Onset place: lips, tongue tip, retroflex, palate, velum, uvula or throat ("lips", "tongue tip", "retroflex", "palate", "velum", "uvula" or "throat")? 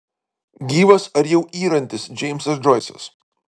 velum